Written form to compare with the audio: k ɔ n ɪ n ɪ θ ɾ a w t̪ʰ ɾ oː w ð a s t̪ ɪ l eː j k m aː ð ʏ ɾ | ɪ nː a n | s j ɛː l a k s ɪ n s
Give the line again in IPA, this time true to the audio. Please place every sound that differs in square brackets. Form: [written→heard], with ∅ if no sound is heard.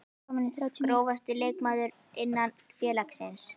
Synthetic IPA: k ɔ [n→m] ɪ n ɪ θ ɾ a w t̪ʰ ɾ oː w [ð→v] a s t̪ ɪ l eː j k m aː ð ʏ ɾ | ɪ nː a n | [s→f] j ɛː l a k s ɪ n s